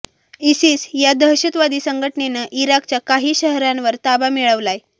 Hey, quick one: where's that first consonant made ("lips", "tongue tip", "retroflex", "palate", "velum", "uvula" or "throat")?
tongue tip